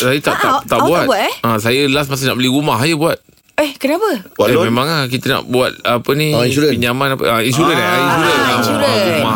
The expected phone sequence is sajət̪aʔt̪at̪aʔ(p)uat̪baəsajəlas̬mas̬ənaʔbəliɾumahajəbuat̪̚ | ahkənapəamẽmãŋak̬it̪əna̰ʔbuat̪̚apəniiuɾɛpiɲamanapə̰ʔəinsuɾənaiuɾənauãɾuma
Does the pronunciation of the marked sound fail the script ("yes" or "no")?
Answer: yes